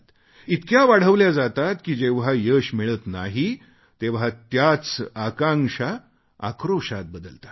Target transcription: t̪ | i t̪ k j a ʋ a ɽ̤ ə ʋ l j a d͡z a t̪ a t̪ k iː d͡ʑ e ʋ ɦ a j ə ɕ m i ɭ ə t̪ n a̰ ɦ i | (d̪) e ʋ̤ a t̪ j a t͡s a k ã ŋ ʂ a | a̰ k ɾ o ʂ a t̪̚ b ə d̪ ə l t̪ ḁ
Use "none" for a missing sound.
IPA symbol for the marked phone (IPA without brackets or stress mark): t̪